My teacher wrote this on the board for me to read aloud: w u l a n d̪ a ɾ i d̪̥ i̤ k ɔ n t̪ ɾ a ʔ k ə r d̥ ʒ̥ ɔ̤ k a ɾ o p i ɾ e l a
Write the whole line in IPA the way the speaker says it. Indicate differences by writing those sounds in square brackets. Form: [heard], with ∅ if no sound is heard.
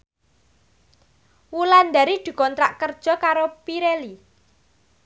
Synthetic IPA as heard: w u l a n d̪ a ɾ i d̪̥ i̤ k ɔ n t̪ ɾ a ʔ k ə r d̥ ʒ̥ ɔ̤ k a ɾ o p i ɾ e l [i]